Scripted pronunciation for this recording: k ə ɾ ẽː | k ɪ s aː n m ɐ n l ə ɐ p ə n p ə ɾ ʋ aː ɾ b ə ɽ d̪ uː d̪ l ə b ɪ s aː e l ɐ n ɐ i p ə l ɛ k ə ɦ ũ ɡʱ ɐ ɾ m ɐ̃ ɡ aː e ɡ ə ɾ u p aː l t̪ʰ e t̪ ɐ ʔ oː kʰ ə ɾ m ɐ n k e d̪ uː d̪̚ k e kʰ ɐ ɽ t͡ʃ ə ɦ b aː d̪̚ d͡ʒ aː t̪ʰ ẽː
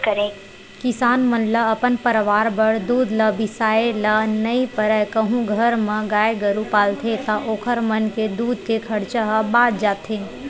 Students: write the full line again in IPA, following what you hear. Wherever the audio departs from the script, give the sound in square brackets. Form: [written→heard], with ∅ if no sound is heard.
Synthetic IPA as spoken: k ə ɾ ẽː | k ɪ s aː n m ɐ n l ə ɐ p ə n p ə ɾ ʋ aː ɾ b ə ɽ d̪ uː d̪ l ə b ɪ s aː e l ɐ n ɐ i p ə [l→ɾ] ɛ k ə ɦ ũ ɡʱ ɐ ɾ m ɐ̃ ɡ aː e ɡ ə ɾ u p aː l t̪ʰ e t̪ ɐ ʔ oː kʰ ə ɾ m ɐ n k e d̪ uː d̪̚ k e kʰ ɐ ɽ t͡ʃ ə ɦ b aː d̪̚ d͡ʒ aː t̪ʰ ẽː